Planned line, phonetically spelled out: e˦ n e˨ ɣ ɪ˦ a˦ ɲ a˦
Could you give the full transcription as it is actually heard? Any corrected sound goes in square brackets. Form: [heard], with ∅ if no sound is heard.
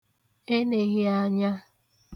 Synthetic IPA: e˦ n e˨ ɣ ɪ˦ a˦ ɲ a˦

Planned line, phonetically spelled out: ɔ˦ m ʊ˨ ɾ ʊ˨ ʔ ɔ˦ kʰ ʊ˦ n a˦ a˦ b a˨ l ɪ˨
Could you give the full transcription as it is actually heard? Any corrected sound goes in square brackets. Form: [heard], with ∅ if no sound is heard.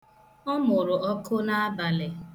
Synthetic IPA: ɔ˦ m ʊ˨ ɾ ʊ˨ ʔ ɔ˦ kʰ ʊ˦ n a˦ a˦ b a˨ l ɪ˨

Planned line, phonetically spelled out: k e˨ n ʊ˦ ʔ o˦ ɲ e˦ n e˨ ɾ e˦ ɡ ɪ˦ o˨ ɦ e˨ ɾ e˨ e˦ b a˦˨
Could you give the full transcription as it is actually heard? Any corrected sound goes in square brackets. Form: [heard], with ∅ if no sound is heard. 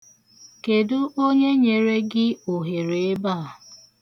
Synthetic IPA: k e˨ [d] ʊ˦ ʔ o˦ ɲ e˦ [ɲ] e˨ ɾ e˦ ɡ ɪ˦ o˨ ɦ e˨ ɾ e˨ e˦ b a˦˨

